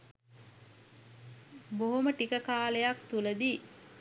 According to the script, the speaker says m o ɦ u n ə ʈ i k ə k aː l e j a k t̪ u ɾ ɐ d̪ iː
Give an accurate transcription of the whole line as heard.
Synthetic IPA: b o ɦ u m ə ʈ i k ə k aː l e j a k t̪ u l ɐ d̪ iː